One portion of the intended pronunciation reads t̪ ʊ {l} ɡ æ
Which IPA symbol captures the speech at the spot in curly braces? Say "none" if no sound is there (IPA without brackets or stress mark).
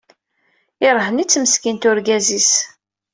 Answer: ɾ